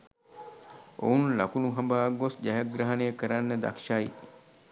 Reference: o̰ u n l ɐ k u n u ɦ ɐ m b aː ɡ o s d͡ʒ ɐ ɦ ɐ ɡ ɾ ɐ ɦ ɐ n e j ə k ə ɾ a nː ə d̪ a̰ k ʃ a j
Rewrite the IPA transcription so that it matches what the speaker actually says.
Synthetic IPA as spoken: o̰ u n l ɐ k u n u ɦ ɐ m b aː ɡ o s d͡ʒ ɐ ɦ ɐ ɡ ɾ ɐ ɦ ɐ n e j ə k ə ɾ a nː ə d̪ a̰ k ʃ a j